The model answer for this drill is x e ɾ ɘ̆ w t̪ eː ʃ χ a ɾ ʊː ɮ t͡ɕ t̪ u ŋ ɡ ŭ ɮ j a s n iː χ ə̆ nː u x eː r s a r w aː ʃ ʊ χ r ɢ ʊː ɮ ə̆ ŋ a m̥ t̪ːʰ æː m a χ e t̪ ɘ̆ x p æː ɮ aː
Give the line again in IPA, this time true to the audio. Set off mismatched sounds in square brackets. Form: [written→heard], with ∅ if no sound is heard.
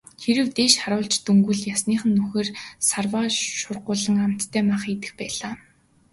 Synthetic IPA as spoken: x e ɾ ɘ̆ w t̪ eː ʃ χ a ɾ ʊː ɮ t͡ɕ t̪ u ŋ ɡ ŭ ɮ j a s n iː χ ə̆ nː u x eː r s a r w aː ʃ ʊ [χ→∅] r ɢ ʊː ɮ ə̆ ŋ a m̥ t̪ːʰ æː m a χ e t̪ ɘ̆ x p æː ɮ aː